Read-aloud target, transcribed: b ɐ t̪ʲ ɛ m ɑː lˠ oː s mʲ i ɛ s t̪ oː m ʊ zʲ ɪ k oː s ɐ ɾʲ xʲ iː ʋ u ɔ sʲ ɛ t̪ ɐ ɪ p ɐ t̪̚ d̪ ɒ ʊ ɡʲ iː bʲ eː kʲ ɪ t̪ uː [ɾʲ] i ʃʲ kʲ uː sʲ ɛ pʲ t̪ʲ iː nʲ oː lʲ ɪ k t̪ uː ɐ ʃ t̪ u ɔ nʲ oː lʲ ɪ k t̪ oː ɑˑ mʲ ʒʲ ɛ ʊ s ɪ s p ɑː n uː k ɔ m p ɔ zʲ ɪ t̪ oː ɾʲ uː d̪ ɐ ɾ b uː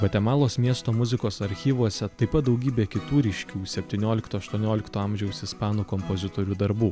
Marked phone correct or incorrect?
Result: correct